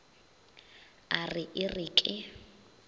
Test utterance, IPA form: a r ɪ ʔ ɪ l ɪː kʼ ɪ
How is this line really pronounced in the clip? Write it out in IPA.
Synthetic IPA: a r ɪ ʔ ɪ r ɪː kʼ ɪ